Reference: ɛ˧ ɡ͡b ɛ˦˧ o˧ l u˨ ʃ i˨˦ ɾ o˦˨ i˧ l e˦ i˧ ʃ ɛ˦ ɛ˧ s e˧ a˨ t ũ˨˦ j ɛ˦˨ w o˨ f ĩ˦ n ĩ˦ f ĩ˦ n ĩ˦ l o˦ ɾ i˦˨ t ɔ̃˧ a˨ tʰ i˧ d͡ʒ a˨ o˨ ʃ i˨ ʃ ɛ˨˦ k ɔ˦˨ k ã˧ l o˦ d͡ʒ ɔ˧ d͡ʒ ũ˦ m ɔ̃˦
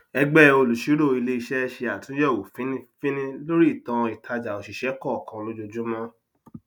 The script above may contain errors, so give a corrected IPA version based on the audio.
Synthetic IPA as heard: ɛ˧ ɡ͡b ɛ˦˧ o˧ l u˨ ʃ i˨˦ ɾ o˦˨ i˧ l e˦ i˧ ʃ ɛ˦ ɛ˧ ʃ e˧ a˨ t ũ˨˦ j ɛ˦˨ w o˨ f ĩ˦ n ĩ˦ f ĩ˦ n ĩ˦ l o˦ ɾ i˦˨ t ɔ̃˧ i˨ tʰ a˧ d͡ʒ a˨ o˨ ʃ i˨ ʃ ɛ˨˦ k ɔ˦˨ k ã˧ l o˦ d͡ʒ o˧ d͡ʒ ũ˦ m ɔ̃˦

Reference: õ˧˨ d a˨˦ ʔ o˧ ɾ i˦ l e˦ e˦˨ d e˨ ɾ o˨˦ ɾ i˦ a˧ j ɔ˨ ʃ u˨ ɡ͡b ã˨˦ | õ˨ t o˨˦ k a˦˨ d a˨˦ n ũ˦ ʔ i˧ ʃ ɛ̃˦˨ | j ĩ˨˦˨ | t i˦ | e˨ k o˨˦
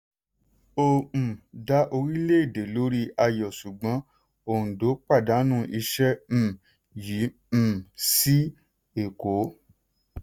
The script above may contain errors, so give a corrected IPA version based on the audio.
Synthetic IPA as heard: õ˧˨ d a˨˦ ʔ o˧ ɾ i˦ l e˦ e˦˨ d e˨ l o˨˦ ɾ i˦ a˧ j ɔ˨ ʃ u˨ ɡ͡b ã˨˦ | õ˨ d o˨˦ k͡p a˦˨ d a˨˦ n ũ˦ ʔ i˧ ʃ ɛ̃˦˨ | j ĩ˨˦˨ | s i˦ | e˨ k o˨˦

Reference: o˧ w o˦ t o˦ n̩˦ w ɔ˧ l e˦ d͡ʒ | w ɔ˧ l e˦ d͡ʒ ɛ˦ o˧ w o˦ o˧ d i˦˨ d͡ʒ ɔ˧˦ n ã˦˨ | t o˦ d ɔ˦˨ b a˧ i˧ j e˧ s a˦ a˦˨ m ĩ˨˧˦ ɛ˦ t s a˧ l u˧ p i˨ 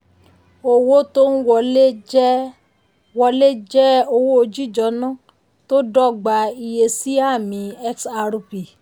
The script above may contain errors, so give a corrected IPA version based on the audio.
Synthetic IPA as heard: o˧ w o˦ t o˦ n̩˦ w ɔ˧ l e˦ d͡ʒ | w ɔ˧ l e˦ d͡ʒ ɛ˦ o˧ w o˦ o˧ d͡ʒ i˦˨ d͡ʒ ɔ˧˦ n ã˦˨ | t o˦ d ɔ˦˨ ɡ͡b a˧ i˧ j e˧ s i˦ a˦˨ m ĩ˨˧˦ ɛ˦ k s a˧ ɾ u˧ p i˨

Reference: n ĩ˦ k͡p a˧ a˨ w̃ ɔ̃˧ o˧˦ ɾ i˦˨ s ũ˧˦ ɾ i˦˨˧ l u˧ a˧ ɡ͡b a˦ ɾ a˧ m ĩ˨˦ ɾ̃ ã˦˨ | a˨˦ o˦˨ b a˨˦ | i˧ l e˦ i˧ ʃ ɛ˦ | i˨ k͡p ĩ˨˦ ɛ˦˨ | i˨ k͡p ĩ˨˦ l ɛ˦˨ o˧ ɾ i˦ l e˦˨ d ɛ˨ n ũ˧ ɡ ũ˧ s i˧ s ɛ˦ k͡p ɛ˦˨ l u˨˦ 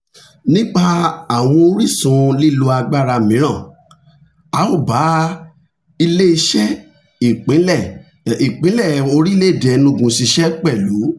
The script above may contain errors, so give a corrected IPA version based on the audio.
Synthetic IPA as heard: n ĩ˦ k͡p a˧ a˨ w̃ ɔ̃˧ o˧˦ ɾ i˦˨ s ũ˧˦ l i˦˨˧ l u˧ a˧ ɡ͡b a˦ ɾ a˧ m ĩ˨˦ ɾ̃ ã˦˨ | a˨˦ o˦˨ b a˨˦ | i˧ l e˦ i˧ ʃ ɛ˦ | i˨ k͡p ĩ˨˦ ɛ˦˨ | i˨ k͡p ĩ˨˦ l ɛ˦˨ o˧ ɾ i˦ l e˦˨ d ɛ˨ n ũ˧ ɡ ũ˧ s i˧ ʃ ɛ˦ k͡p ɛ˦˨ l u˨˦

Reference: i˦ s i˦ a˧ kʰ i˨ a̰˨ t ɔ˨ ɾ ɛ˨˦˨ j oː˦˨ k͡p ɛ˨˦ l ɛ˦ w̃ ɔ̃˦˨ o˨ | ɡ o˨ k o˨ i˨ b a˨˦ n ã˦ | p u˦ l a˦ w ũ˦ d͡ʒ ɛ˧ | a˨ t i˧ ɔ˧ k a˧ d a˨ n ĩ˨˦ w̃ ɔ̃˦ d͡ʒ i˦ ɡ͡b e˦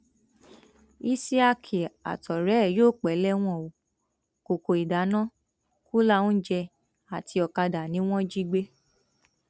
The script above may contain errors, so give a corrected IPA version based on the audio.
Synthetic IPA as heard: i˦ s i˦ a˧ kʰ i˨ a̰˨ t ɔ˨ ɾ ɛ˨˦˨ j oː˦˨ k͡p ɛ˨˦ l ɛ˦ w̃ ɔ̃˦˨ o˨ | k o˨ k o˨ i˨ d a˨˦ n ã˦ | k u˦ l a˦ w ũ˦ d͡ʒ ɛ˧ | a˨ t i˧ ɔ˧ k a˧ d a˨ n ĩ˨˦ w̃ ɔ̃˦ d͡ʒ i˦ ɡ͡b e˦

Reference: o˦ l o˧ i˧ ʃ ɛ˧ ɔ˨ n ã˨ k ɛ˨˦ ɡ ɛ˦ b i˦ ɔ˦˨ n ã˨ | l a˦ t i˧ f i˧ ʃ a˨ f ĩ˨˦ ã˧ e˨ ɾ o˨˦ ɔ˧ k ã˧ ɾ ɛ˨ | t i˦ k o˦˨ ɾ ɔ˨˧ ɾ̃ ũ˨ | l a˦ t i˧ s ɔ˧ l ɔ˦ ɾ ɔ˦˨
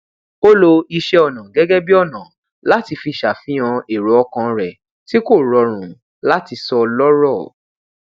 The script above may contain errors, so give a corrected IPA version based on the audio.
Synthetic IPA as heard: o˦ l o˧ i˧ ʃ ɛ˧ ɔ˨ n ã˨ ɡ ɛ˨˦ ɡ ɛ˦ b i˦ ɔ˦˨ n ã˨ | l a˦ t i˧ f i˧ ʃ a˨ f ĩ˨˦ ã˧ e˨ ɾ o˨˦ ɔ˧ k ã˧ ɾ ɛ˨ | t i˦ k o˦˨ ɾ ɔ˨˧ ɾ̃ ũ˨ | l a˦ t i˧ s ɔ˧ l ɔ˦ ɾ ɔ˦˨

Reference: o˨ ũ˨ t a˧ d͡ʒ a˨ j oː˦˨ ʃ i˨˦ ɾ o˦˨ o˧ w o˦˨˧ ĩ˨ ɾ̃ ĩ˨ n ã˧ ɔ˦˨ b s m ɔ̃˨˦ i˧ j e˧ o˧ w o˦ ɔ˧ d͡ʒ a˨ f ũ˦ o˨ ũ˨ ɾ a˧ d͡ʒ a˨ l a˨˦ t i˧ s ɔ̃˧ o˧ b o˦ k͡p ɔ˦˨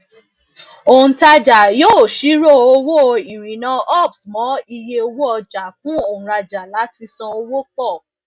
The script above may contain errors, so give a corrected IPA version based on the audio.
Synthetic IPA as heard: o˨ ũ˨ t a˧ d͡ʒ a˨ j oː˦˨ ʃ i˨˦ ɾ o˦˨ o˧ w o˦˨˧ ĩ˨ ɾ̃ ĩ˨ n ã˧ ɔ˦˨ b s m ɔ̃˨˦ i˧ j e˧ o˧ w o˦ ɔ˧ d͡ʒ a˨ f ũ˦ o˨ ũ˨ ɾ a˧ d͡ʒ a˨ l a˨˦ t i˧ s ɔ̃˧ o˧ w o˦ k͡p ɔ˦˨

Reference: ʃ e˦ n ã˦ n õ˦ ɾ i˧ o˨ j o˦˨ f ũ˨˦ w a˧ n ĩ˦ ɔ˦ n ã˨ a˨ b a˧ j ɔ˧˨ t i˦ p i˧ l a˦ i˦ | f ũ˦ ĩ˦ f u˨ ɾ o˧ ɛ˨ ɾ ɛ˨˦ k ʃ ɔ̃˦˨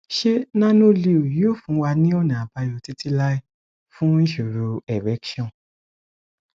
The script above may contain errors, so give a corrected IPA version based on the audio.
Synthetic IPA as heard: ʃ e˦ n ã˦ n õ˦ l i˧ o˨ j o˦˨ f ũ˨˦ w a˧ n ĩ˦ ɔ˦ n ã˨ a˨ b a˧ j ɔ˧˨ t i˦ t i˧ l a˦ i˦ | f ũ˦ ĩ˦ ʃ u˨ ɾ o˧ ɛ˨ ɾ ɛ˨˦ k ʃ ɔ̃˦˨

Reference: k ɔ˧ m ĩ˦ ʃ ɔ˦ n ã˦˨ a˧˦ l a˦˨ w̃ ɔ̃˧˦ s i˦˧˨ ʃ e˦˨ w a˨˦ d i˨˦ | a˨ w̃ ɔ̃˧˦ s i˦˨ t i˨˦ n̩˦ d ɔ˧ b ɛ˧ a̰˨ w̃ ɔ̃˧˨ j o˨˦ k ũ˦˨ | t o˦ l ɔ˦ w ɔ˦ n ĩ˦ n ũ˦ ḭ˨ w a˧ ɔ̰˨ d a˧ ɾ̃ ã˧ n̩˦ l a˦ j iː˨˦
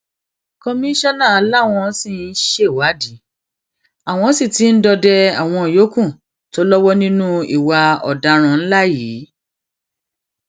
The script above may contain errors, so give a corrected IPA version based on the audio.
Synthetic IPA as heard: k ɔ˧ m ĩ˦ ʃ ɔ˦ n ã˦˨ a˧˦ l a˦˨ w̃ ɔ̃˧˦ s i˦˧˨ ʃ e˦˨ w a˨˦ d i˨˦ | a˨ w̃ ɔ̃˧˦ s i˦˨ t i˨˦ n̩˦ d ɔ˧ d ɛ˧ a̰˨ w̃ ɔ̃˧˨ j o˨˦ k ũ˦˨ | t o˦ l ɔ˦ w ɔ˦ n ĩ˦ n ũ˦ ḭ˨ w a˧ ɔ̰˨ d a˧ ɾ̃ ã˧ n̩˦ l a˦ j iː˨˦

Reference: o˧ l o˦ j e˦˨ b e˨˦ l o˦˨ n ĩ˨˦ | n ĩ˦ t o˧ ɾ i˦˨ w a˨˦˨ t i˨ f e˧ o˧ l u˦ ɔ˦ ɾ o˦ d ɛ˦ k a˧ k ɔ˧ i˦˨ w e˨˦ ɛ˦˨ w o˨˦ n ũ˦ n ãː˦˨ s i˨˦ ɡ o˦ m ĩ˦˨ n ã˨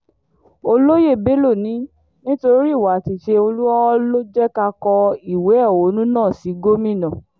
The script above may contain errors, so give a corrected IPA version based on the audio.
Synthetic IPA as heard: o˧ l o˦ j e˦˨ b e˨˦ l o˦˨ n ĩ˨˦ | n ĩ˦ t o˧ ɾ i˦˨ w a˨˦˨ t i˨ ʃ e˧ o˧ l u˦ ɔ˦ l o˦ d͡ʒ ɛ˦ k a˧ k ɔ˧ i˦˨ w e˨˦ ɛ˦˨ w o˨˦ n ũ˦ n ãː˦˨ s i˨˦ ɡ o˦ m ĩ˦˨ n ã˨

